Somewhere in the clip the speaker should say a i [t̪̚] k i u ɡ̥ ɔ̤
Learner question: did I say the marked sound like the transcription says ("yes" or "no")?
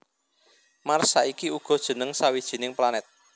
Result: no